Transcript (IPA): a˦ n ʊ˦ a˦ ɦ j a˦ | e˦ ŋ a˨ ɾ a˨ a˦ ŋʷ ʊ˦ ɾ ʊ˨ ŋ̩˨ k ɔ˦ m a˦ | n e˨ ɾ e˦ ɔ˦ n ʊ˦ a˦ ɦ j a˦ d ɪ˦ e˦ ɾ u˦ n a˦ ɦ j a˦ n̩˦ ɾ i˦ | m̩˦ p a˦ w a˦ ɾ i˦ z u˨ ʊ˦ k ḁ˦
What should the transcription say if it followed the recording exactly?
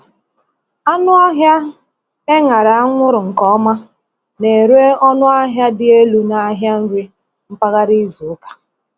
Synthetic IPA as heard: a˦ n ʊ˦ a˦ ɦ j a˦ | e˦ ŋ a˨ ɾ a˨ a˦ ŋʷ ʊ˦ ɾ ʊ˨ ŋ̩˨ k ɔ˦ m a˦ | n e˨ ɾ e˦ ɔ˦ n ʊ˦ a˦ ɦ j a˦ d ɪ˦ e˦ l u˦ n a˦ ɦ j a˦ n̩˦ ɾ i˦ | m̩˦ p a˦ ɣ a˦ ɾ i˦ z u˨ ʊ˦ k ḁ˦